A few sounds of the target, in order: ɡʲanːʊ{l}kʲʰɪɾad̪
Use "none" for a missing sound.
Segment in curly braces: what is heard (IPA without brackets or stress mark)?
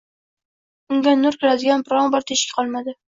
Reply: ɾ